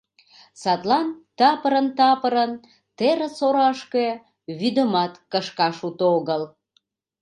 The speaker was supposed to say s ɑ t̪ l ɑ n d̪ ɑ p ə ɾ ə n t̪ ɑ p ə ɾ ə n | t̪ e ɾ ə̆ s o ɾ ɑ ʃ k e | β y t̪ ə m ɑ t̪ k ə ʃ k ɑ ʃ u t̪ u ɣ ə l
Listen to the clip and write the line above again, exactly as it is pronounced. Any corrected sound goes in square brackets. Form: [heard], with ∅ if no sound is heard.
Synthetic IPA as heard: s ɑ t̪ l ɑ n [t̪] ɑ p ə ɾ ə n t̪ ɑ p ə ɾ ə n | t̪ e ɾ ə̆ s o ɾ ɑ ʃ k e | β y [d̪] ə m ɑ t̪ k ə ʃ k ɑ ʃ u t̪ [o] ɣ ə l